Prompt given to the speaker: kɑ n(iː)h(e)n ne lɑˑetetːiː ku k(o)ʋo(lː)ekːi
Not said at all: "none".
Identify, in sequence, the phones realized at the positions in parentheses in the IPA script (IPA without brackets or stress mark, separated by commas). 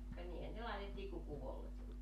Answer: iː, æ, u, lː